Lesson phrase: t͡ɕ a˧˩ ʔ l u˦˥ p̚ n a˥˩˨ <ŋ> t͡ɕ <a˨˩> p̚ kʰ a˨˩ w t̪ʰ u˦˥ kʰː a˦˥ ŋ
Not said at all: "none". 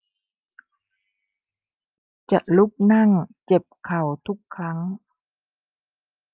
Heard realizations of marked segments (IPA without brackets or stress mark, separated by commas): ŋ, e˨˩